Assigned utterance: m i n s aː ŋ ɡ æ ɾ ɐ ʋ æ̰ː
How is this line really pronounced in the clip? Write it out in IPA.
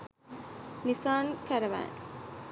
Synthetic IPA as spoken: n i s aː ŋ k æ ɾ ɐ ʋ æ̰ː